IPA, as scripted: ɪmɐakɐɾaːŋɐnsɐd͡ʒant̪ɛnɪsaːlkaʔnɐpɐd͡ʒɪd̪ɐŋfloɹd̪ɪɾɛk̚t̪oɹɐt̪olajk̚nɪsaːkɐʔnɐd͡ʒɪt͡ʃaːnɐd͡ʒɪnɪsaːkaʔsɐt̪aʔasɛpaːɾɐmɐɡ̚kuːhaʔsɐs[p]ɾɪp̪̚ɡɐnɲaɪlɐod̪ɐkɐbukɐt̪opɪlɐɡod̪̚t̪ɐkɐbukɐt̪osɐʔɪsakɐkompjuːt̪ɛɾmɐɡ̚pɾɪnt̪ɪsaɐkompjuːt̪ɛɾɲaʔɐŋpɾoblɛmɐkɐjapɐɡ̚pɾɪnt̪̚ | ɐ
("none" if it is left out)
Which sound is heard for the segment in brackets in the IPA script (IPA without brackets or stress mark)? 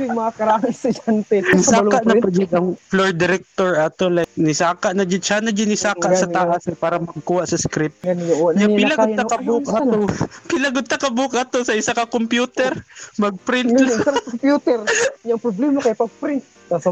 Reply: k